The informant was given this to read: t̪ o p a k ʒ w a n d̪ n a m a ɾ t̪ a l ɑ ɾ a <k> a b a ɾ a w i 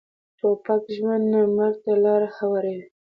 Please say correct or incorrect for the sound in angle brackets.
incorrect